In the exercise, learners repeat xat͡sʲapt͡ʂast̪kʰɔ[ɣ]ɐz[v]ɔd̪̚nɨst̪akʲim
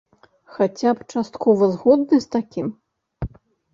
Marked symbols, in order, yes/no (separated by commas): no, no